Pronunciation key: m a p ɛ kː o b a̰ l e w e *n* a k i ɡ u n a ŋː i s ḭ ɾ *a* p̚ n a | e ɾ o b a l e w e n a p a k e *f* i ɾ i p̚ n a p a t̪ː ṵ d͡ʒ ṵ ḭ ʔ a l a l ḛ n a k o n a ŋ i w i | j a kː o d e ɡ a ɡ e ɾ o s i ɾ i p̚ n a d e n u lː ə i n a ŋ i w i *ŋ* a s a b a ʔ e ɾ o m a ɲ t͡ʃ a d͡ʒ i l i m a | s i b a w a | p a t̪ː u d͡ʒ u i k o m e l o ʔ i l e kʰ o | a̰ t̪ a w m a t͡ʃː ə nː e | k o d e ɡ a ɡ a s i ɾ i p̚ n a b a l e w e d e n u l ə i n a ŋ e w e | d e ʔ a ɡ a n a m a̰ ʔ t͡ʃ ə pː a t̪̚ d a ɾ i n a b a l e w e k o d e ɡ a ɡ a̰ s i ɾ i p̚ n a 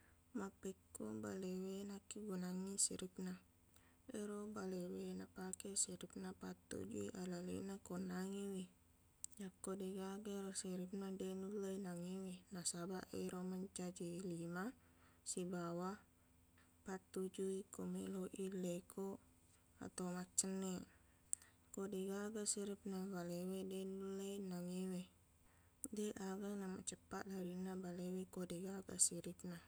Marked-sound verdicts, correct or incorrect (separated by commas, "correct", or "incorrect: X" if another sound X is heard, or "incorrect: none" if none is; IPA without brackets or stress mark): correct, incorrect: i, incorrect: s, incorrect: n